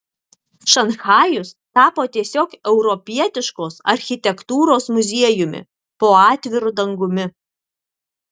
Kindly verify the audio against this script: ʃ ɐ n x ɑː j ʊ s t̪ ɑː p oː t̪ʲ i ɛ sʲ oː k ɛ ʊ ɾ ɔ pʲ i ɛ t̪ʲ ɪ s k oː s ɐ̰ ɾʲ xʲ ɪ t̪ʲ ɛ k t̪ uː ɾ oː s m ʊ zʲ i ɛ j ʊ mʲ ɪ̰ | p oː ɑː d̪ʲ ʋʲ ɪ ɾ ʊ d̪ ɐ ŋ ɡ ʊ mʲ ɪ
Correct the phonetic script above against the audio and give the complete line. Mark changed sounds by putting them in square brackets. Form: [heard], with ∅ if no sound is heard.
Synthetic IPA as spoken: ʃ ɐ n x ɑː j ʊ s t̪ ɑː p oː t̪ʲ i ɛ sʲ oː k ɛ ʊ ɾ ɔ pʲ i ɛ t̪ʲ ɪ [ʃ] k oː s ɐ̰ ɾʲ xʲ ɪ t̪ʲ ɛ k t̪ uː ɾ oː s m ʊ zʲ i ɛ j ʊ mʲ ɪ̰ | p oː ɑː [t̪ʲ] ʋʲ ɪ ɾ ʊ d̪ ɐ ŋ ɡ ʊ mʲ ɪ